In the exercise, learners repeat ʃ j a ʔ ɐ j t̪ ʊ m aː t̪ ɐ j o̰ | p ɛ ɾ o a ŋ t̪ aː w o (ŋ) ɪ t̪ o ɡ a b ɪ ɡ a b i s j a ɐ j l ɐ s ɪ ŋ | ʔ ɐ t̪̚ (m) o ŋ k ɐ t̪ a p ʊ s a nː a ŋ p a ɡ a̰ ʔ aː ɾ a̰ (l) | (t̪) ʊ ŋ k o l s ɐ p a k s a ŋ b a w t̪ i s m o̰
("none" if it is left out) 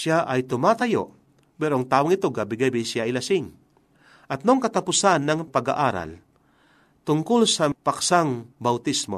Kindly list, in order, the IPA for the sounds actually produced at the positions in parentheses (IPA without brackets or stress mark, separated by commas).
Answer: ŋ, n, l, t̪